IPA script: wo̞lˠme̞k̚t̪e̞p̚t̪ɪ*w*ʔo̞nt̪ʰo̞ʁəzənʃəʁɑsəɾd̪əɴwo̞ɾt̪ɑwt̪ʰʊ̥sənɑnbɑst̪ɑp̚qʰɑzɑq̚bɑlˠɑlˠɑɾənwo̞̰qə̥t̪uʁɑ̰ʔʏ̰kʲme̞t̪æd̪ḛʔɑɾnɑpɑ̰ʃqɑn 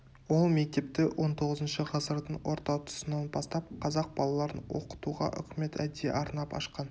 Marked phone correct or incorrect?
correct